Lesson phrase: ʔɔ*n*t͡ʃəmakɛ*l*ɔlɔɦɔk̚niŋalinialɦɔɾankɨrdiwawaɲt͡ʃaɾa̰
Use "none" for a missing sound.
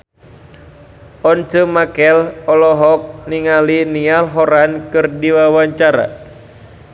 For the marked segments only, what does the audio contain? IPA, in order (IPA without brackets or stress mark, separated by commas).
n, l